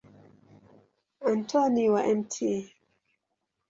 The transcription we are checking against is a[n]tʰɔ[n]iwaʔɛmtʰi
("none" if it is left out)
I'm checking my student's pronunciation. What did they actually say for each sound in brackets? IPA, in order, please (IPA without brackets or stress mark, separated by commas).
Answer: n, n